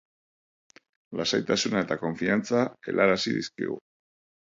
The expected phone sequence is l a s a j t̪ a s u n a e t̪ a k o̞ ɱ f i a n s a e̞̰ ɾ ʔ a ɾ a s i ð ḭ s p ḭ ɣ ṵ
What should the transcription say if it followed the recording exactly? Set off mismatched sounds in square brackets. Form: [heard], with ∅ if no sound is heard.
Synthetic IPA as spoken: l a s a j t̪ a s u n a e t̪ a k o̞ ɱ f i a n [t͡s] a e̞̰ [l] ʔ a ɾ a s i ð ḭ s [k] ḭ ɣ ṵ